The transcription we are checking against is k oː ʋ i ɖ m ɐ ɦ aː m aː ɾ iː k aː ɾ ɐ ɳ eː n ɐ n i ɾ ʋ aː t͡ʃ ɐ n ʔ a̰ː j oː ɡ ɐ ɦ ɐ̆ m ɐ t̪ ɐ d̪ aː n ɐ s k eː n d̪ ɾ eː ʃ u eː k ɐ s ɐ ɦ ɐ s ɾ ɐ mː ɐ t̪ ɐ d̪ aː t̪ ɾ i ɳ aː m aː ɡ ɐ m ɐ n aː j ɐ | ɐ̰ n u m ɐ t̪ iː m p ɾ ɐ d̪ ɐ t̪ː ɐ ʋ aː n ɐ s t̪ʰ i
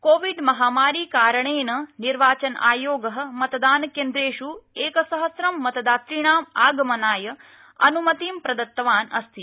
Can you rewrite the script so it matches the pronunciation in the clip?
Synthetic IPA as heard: k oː ʋ i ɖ m ɐ ɦ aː m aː ɾ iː k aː ɾ ɐ ɳ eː n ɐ n i ɾ ʋ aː t͡ʃ ɐ n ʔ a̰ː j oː ɡ ɐ ɦ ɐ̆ m ɐ t̪ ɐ d̪ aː n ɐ k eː n d̪ ɾ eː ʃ u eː k ɐ s ɐ ɦ ɐ s ɾ ɐ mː ɐ t̪ ɐ d̪ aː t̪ ɾ i ɳ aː m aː ɡ ɐ m ɐ n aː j ɐ | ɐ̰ n u m ɐ t̪ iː m p ɾ ɐ d̪ ɐ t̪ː ɐ ʋ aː n ɐ s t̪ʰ i